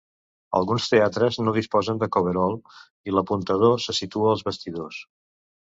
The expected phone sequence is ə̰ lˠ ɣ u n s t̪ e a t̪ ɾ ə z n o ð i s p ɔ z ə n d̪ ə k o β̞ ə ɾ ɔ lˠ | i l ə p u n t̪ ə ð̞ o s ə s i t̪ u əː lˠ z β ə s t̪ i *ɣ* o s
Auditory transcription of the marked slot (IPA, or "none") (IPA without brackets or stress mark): ð